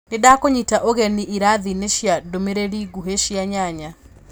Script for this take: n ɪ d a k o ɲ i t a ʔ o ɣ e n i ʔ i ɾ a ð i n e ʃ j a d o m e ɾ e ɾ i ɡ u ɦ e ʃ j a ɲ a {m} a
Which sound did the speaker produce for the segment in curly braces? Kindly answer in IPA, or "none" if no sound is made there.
ɲ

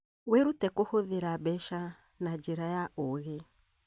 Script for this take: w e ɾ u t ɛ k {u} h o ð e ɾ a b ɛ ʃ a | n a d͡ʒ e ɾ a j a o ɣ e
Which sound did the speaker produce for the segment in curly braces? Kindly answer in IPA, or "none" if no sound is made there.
o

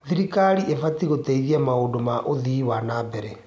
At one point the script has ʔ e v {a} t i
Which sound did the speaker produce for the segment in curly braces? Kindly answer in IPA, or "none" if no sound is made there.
a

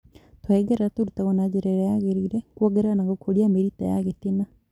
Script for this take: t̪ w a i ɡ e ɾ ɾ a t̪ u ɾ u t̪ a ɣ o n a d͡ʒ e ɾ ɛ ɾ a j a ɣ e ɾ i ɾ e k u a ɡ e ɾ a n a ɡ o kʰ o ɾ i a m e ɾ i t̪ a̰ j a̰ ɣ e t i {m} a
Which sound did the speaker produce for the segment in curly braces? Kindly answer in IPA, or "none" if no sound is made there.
n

